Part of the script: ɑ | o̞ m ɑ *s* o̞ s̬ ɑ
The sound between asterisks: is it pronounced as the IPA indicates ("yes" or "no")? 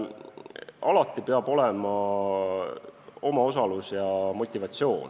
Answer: no